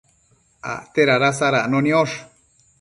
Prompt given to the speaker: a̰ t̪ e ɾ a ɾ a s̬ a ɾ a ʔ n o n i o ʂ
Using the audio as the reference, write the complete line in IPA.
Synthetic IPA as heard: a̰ t̪ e ɾ a ɾ a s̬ a ɾ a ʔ n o n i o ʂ